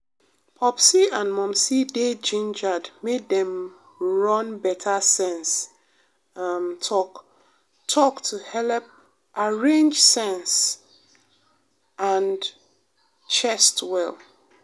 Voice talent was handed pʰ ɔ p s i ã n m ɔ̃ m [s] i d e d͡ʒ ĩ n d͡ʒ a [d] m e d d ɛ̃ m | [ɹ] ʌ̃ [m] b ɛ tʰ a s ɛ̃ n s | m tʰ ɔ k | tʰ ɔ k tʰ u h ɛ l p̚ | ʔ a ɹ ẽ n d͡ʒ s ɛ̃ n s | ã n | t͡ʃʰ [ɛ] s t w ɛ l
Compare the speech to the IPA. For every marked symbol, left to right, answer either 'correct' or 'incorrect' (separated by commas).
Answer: correct, correct, correct, incorrect, correct